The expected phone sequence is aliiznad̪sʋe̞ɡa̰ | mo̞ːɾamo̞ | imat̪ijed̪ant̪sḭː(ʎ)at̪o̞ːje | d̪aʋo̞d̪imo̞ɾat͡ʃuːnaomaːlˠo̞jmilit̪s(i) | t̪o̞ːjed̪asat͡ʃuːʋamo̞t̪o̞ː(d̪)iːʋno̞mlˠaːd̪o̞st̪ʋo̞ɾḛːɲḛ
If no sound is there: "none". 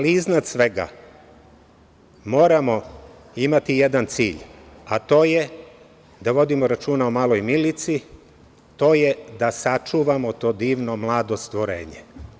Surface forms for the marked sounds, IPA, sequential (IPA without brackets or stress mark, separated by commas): ʎ, i, d̪